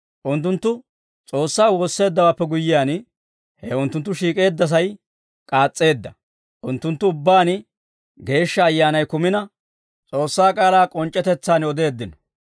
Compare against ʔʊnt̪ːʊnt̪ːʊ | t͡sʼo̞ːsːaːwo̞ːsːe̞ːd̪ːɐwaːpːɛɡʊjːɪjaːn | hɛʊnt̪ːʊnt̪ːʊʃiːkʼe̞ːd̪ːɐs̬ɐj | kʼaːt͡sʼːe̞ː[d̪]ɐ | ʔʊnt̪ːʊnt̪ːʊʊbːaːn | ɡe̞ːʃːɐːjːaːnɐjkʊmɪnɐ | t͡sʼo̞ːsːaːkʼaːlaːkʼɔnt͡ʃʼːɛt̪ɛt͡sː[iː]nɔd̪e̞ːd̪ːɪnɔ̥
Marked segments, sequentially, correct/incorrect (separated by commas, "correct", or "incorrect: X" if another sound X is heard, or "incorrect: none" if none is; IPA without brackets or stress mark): incorrect: d̪ː, incorrect: aː